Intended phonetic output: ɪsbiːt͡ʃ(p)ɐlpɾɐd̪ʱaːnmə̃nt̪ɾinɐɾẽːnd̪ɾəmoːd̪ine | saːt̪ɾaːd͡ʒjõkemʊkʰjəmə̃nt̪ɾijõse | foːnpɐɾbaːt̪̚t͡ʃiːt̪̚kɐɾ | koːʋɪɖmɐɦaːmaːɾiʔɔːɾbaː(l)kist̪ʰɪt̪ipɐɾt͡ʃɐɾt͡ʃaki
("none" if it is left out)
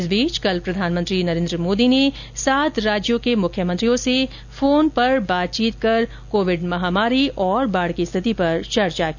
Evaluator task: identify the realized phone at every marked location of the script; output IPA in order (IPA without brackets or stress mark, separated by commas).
k, ɽ